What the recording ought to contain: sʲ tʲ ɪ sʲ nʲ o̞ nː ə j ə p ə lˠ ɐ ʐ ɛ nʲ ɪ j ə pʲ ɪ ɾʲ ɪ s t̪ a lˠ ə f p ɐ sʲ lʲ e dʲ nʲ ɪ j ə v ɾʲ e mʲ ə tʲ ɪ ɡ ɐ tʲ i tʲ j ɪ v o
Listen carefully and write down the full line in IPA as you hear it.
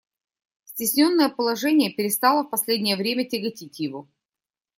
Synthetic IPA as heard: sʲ tʲ ɪ sʲ nʲ o̞ nː ə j ə p ə lˠ ɐ ʐ ɛ nʲ ɪ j ə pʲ ɪ ɾʲ ɪ s t̪ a lˠ ə f p ɐ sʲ lʲ e dʲ nʲ ɪ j ə v ɾʲ e mʲ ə tʲ ɪ ɡ ɐ tʲ i tʲ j ɪ v o